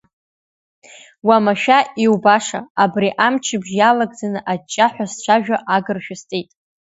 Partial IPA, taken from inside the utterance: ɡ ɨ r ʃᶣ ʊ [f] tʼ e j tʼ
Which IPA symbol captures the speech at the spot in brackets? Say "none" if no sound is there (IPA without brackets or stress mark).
s